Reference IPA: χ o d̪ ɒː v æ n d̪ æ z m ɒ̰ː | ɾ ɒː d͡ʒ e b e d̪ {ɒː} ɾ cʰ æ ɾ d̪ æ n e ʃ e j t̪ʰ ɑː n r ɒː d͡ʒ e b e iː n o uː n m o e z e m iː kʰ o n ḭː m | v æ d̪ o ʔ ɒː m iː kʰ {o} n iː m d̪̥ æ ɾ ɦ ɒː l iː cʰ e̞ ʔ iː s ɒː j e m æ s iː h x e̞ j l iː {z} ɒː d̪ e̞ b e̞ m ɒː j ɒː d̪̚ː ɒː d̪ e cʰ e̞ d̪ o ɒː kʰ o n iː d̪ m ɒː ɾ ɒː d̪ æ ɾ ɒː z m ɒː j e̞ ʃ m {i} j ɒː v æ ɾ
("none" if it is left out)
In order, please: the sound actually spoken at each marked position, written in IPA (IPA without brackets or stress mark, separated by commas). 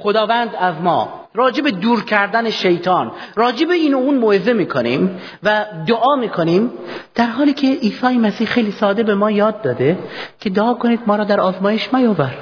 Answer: uː, o, s, æ